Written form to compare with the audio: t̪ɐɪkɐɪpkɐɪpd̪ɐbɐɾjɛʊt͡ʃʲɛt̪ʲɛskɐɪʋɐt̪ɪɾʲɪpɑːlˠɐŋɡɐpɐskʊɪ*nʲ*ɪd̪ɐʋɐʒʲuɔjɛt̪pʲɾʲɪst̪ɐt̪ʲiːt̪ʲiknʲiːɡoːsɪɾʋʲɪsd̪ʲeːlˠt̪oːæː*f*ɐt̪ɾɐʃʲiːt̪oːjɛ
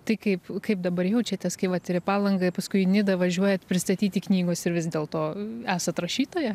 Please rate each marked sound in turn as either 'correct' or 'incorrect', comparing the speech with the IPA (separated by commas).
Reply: correct, incorrect